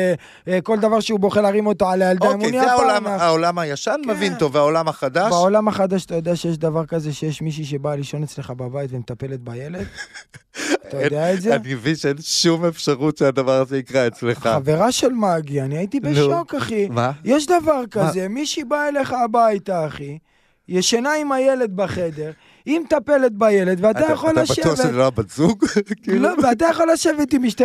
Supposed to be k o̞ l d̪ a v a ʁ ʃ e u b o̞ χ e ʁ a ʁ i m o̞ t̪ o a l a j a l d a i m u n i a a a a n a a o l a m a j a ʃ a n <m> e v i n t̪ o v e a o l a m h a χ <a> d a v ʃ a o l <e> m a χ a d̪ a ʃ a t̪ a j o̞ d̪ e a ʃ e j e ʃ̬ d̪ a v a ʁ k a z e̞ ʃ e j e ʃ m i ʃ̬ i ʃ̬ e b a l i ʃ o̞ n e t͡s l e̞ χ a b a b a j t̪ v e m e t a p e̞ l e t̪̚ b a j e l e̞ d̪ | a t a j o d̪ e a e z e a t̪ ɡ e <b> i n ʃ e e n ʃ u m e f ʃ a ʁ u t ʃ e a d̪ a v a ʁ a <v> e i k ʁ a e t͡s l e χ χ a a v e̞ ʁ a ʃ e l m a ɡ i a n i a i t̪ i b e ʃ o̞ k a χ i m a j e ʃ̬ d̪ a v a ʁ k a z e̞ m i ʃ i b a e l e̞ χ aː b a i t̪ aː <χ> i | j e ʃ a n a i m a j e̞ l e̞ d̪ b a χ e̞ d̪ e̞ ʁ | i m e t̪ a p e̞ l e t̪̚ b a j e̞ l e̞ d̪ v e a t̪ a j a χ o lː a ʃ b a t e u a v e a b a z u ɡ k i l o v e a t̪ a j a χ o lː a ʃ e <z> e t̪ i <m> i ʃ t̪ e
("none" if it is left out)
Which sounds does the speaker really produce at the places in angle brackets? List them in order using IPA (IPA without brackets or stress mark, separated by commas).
m, a, a, v, z, χ, v, m